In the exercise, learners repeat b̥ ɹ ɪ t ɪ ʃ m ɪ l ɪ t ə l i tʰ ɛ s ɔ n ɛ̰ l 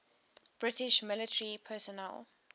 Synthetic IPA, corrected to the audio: b̥ ɹ ɪ t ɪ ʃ m ɪ l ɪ t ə ɹ i pʰ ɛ s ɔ n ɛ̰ l